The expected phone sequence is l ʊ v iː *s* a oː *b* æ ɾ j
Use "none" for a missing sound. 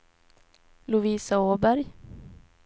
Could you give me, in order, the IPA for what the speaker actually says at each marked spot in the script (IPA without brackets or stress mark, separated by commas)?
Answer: s, b